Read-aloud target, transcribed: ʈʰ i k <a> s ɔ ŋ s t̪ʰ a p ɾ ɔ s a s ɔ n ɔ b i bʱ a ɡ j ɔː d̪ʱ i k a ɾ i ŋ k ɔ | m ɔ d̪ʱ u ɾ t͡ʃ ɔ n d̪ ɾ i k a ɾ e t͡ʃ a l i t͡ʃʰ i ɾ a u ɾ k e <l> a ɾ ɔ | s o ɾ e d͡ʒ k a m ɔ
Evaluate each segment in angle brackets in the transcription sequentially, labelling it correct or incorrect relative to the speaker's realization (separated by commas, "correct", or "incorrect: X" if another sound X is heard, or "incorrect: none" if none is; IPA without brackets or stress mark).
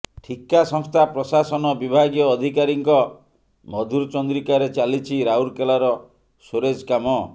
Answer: correct, correct